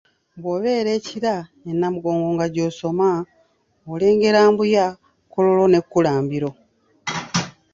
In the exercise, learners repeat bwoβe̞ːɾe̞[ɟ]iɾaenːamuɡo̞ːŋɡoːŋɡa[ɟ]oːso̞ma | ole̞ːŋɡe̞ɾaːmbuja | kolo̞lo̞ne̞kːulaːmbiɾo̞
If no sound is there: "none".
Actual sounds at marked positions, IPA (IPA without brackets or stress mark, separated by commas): c, ɟ